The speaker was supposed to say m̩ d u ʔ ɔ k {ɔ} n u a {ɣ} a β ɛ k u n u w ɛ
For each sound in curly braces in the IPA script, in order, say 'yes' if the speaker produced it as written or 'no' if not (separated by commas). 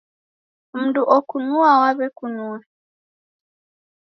no, no